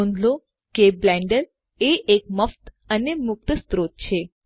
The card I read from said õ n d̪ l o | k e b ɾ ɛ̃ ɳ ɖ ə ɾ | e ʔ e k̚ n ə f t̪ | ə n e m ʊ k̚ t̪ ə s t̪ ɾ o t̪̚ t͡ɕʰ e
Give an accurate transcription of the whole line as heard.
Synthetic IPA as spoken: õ n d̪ l o | k e b l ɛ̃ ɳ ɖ ə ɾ | e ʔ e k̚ m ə f t̪ | ə n e m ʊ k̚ t̪ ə s t̪ ɾ o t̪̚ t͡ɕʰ e